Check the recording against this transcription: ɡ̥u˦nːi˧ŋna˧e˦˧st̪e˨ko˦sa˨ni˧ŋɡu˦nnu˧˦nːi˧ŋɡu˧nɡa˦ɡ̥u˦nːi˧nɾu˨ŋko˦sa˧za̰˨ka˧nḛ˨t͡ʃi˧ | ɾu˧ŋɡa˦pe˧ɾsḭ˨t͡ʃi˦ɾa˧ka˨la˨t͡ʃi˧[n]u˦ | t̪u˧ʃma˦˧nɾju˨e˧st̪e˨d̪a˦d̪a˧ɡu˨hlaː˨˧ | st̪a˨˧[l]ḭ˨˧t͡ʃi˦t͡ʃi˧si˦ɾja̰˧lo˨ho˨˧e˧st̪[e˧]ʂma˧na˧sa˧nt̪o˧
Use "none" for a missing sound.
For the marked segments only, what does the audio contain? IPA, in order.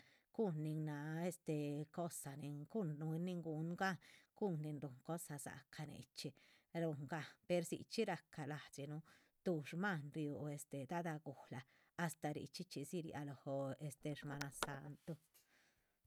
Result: n, ɾ, e˧

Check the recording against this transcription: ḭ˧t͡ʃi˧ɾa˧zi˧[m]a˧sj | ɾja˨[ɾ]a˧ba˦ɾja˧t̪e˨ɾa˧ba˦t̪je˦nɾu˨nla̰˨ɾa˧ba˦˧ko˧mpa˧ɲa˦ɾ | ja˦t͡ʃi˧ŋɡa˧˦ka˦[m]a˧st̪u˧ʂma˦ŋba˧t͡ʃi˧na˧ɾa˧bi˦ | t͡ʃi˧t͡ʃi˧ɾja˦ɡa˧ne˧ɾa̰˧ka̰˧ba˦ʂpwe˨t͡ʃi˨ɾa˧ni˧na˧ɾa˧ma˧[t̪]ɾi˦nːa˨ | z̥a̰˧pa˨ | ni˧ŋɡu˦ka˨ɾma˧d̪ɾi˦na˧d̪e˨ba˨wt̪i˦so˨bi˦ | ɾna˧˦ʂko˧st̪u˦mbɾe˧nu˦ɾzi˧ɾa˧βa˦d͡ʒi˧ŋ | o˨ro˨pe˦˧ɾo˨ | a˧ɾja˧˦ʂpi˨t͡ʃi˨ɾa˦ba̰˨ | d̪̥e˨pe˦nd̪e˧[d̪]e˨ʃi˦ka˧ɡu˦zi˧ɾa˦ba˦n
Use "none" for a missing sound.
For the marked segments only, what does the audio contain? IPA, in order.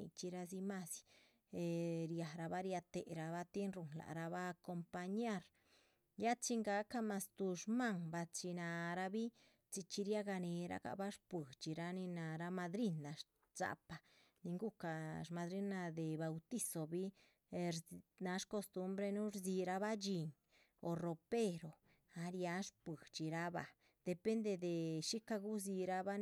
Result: m, ɾ, m, d̪, d̪

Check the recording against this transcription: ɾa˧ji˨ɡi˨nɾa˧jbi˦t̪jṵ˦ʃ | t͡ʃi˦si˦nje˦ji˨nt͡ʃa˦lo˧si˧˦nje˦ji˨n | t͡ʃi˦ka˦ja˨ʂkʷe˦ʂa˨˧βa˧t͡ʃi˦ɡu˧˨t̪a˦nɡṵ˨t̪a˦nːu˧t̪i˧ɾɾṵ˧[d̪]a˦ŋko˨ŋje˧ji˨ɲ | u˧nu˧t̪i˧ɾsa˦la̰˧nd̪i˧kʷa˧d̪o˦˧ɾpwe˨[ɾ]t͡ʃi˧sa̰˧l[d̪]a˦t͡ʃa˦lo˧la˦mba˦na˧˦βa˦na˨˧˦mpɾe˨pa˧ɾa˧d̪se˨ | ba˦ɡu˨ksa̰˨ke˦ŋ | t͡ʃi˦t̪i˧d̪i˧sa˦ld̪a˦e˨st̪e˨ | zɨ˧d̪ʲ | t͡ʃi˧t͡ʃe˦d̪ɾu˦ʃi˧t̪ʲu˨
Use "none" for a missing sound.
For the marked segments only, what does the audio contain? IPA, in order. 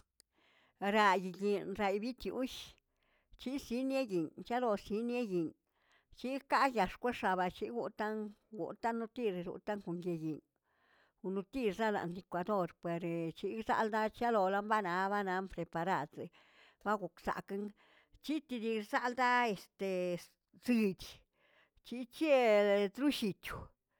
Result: t̪, ɾ, d̪

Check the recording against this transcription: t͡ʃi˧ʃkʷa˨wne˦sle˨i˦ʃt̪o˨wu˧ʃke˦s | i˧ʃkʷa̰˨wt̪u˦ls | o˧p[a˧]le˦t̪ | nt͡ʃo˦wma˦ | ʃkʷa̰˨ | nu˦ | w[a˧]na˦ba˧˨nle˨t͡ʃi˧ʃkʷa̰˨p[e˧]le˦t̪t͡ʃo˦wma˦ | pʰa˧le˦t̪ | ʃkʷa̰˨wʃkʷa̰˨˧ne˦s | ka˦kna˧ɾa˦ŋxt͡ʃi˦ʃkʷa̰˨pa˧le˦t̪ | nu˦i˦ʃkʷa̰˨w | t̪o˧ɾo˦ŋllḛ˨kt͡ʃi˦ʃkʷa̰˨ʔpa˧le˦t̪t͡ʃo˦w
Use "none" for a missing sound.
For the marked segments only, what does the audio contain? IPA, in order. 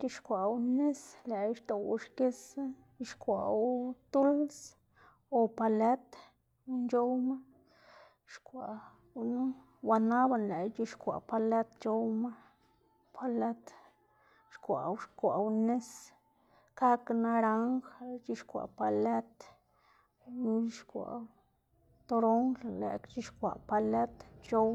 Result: a˧, a˧, a˧

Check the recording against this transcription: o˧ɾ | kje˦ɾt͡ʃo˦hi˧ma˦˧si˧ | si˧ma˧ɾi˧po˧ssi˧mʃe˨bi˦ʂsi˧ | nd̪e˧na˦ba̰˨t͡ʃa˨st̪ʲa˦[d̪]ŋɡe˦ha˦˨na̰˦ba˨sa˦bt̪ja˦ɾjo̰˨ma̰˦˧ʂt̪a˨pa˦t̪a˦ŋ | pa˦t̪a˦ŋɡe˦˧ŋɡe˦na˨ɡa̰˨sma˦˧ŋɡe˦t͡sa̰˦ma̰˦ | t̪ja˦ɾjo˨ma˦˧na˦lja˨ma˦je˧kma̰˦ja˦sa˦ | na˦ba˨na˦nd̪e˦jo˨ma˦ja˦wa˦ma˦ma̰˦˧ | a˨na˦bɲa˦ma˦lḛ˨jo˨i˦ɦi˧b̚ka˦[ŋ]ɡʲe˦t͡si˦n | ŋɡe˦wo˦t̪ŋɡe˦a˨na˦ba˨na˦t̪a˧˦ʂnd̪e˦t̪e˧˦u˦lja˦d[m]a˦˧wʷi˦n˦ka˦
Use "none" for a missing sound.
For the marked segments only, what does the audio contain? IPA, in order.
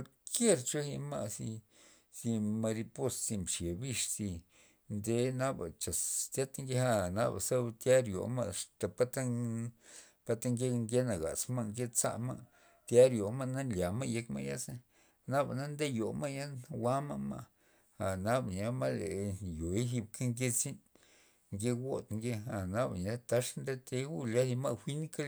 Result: t̪, ŋ, m

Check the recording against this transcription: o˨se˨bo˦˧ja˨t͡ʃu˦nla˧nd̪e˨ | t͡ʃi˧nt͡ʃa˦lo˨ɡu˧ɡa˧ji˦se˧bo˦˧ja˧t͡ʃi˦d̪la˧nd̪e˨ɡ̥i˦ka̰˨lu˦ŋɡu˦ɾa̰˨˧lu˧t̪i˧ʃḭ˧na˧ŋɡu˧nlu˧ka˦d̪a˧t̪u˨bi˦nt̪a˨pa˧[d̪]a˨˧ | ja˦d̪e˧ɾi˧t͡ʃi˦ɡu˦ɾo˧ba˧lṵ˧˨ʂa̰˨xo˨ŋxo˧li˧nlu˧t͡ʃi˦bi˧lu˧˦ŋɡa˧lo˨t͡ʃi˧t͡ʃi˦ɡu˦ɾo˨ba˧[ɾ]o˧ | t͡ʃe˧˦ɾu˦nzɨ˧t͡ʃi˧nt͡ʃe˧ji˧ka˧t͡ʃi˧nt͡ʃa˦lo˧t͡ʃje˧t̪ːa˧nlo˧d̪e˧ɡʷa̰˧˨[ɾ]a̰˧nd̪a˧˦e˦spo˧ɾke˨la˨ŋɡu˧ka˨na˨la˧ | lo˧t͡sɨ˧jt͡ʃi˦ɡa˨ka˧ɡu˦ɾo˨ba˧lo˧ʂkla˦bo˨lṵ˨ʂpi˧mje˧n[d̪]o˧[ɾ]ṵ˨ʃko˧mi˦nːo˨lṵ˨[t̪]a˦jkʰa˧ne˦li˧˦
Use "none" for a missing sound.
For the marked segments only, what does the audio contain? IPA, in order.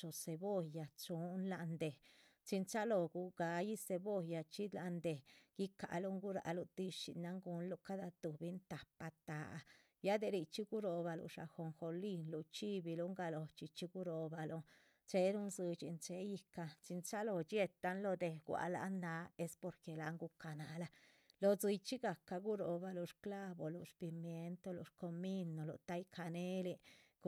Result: t̪, l, l, t̪, l, t̪

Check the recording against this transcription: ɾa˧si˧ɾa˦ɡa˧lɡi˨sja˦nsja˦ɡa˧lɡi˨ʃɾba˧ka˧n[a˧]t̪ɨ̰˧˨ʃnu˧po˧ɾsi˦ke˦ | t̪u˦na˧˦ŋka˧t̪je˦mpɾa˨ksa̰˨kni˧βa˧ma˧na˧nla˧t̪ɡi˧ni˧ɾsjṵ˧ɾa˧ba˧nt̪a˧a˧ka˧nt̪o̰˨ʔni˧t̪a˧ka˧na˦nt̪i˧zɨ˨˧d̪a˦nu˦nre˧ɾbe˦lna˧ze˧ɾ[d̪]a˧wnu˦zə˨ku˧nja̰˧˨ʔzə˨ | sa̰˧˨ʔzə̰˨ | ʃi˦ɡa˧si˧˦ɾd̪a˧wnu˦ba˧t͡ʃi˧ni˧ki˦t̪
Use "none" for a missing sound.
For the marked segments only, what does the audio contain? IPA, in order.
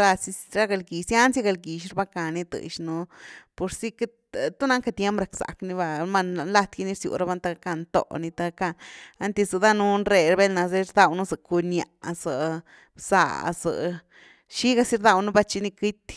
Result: i˧, d̪

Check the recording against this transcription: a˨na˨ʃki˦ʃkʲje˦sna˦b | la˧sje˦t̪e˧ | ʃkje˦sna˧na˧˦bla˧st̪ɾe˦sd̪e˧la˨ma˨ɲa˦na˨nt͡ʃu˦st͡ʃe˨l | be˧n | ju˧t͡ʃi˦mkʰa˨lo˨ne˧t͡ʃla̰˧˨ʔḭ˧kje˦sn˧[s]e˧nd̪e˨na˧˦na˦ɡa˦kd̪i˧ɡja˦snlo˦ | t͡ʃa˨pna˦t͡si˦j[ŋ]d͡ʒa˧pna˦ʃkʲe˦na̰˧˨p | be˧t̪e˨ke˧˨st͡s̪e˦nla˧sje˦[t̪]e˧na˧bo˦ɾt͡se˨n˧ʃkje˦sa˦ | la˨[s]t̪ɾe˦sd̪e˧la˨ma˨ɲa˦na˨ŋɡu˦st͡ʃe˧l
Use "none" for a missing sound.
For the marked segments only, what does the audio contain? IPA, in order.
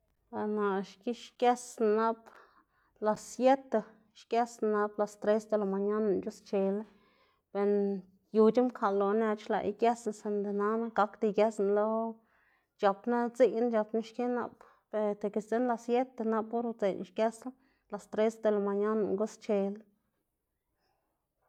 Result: s, n, t̪, s

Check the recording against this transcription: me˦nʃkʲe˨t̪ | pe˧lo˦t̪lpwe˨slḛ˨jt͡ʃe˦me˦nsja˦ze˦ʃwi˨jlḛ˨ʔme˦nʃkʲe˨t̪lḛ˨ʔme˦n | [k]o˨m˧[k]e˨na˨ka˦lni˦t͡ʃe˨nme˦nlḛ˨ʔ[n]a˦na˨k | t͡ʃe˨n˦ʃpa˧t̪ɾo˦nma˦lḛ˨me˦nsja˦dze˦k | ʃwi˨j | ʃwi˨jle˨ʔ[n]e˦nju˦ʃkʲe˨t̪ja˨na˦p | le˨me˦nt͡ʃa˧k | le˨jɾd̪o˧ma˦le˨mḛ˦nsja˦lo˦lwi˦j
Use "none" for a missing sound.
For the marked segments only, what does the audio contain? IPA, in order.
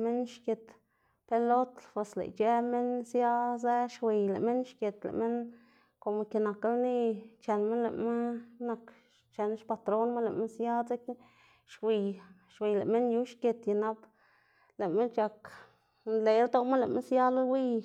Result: k, k, m, m

